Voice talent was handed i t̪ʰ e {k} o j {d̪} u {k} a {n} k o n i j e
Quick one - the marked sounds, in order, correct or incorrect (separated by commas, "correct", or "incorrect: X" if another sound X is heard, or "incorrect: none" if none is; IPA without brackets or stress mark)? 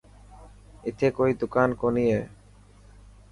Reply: correct, correct, correct, correct